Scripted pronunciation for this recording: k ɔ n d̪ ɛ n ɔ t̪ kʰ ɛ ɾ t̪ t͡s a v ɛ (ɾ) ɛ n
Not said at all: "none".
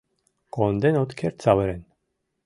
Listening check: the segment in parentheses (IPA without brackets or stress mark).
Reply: ɾ